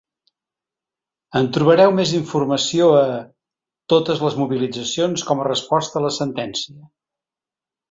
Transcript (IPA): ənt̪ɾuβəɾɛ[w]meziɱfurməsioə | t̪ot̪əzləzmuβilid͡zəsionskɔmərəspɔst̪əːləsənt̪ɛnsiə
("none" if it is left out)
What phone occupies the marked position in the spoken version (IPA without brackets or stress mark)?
w